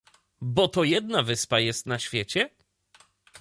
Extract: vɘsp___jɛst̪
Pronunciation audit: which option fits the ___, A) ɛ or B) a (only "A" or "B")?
B